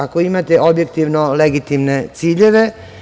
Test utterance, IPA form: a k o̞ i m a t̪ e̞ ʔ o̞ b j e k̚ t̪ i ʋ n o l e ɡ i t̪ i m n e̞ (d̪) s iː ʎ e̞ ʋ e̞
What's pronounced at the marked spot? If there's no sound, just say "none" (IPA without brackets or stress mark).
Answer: t̪